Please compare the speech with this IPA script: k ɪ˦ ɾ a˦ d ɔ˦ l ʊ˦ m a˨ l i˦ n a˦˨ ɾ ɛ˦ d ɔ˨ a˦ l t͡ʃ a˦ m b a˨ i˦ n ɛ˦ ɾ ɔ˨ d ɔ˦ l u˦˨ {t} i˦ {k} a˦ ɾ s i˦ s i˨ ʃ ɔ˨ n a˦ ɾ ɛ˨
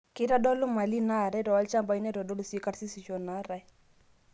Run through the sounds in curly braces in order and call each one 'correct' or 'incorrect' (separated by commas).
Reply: incorrect, correct